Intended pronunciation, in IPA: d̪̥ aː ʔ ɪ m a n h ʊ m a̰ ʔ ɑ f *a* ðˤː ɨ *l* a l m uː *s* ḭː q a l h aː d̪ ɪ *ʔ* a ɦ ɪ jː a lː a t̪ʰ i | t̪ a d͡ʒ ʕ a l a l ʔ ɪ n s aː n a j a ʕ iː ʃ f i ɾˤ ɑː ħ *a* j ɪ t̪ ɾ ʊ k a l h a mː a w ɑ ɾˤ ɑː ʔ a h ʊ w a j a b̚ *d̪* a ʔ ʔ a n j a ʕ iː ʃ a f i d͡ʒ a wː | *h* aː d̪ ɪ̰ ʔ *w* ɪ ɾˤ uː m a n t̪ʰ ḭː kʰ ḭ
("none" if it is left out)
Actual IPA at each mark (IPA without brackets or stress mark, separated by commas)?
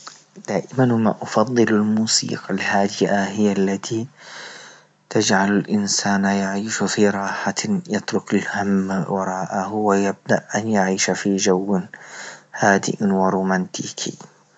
ɑ, l, s, ʔ, a, d̪, h, w